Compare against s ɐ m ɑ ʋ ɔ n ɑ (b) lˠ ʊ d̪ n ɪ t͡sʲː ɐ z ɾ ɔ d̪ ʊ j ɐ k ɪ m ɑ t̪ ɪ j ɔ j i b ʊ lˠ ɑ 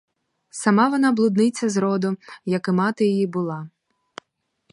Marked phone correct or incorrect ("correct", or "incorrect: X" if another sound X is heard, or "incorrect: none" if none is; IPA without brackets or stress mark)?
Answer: correct